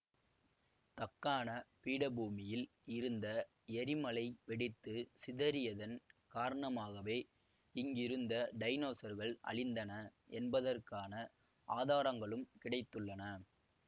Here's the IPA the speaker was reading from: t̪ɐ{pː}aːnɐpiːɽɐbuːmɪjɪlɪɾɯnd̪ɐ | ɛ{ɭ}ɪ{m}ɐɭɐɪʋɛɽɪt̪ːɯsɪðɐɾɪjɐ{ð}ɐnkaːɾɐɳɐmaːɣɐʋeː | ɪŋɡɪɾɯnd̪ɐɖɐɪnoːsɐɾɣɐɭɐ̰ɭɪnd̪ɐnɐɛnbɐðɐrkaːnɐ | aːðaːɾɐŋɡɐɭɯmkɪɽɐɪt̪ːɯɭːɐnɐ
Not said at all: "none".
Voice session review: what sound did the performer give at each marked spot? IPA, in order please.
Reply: kː, ɾ, m, ð

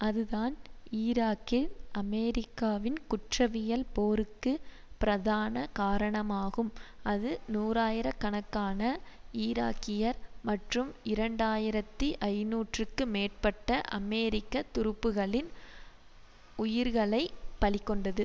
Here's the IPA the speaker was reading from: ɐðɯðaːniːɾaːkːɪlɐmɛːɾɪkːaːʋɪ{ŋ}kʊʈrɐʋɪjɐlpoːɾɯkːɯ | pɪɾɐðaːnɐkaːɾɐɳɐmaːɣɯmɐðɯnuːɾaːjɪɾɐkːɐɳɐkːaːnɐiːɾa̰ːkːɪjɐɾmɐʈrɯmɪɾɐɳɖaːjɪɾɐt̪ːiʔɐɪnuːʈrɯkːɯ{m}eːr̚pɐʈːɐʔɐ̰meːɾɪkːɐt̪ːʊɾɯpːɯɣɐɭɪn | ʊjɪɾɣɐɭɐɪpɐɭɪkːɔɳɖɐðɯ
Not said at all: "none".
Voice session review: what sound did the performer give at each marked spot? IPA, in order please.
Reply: n, m

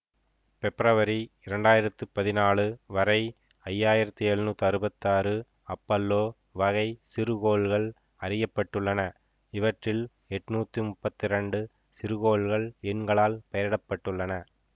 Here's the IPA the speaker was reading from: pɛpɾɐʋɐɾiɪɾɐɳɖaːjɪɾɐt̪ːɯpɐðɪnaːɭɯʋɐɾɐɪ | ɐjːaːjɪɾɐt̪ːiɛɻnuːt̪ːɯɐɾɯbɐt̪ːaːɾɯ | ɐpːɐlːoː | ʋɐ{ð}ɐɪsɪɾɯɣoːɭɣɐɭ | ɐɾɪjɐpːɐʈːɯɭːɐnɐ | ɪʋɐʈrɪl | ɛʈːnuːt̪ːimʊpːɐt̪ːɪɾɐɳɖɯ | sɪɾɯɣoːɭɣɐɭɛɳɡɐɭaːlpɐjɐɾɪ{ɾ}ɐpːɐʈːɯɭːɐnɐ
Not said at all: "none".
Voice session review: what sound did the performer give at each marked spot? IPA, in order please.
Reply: ɣ, ɽ

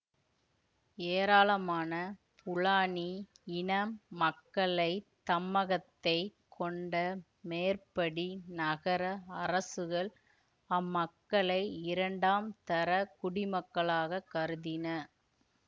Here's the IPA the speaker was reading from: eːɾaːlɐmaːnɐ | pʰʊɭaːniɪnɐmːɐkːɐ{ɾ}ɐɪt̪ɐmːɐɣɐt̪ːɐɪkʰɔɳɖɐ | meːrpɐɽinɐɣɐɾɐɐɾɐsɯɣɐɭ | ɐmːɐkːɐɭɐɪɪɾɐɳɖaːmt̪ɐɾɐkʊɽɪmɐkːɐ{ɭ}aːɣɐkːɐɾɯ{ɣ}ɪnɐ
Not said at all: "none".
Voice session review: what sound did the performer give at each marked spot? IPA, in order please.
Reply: ɭ, ɭ, ð

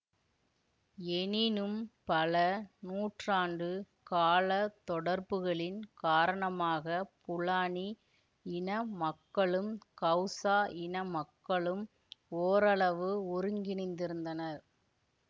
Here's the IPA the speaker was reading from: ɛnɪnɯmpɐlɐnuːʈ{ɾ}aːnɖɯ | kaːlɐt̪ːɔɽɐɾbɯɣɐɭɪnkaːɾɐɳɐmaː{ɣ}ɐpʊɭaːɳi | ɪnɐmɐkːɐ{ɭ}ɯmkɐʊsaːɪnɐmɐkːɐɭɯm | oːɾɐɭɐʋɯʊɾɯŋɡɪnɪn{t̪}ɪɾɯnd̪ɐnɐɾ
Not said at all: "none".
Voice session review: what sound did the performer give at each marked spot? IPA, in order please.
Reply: r, ɣ, ɭ, d̪

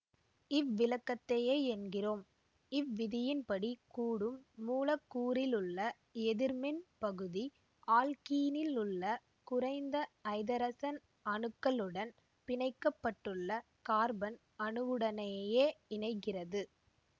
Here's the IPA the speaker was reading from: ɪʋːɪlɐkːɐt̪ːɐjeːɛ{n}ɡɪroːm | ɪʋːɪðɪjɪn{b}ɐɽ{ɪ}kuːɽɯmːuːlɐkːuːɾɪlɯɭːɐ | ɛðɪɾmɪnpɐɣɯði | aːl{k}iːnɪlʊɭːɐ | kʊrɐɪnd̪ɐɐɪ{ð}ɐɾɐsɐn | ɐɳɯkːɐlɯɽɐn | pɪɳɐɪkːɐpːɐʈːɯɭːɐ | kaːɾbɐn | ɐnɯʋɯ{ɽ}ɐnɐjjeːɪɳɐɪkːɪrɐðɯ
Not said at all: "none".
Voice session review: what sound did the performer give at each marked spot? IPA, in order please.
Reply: n, p, i, k, ð, ɽ

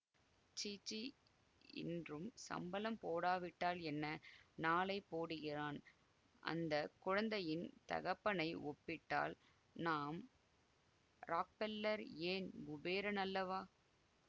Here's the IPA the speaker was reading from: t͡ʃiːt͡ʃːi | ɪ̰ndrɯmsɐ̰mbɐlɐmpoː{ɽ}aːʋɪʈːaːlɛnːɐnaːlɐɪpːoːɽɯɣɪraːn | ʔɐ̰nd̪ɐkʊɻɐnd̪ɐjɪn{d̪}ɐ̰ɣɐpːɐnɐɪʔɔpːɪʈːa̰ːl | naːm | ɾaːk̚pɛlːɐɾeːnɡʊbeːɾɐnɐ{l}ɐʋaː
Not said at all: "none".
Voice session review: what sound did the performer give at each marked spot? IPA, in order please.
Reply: ɽ, t̪, lː

